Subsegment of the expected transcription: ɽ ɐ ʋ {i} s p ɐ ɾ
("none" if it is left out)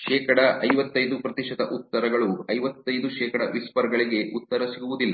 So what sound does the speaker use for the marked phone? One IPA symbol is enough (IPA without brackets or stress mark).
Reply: i